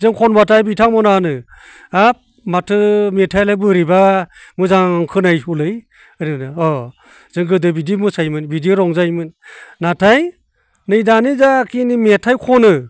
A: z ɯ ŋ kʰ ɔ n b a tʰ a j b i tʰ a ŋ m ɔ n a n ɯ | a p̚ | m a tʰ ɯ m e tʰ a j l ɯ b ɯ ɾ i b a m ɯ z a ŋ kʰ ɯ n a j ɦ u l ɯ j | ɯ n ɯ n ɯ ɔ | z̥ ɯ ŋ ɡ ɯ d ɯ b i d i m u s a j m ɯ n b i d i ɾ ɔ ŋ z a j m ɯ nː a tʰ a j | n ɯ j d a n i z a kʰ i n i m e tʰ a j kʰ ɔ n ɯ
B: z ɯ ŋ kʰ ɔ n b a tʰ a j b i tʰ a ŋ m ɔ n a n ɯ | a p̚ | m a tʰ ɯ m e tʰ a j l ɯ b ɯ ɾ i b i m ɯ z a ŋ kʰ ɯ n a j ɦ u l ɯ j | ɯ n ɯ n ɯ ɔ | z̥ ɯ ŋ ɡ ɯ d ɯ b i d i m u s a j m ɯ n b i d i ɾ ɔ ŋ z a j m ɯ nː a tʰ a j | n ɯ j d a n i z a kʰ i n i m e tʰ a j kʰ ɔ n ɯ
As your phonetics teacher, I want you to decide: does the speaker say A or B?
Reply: A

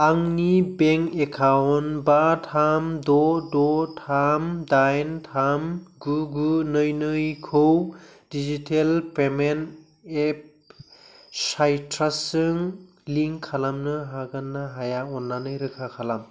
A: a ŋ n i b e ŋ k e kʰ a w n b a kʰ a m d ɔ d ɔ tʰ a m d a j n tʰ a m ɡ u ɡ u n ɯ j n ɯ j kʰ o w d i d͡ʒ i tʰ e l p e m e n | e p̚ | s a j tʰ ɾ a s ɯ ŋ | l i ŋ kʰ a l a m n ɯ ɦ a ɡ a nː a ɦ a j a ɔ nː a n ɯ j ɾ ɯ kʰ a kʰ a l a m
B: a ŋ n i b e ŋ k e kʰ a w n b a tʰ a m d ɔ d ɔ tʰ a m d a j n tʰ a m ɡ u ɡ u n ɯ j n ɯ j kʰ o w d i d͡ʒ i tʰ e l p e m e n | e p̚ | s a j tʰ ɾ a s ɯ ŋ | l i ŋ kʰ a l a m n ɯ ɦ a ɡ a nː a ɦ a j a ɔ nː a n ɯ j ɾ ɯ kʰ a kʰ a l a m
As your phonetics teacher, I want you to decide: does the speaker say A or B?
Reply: B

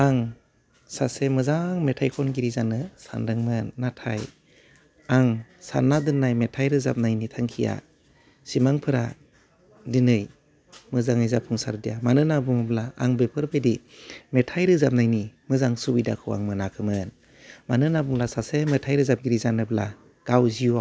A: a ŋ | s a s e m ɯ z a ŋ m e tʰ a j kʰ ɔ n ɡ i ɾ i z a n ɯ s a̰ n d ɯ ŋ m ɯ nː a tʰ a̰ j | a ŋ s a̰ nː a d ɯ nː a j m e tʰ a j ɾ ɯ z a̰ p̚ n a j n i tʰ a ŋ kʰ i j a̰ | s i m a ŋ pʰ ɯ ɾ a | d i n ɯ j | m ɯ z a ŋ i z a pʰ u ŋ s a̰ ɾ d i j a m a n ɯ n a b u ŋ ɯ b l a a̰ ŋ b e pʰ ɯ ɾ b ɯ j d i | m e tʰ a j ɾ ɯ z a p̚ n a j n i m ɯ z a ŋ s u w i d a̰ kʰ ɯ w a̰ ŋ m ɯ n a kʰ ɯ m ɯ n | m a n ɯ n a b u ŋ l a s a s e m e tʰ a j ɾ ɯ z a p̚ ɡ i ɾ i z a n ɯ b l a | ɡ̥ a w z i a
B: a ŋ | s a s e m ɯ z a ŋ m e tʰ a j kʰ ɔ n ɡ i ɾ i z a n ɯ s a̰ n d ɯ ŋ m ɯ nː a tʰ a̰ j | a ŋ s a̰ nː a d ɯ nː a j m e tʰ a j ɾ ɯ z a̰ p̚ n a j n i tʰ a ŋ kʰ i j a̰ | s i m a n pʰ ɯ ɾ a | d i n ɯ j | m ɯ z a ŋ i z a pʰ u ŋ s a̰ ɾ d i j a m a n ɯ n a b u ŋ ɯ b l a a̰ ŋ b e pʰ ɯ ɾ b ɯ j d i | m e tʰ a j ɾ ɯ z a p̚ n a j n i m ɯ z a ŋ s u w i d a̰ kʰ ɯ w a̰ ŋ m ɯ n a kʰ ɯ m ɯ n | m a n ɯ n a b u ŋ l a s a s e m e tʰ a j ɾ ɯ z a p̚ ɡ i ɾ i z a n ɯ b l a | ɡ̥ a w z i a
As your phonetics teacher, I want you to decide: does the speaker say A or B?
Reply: A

